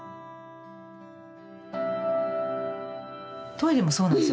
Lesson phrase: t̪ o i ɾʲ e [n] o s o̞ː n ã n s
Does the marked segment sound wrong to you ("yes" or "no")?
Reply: yes